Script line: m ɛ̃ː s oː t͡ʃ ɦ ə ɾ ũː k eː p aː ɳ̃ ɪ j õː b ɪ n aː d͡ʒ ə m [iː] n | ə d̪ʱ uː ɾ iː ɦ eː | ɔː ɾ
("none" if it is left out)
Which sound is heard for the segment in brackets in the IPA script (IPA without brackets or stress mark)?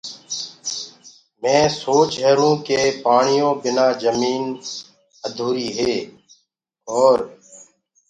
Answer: iː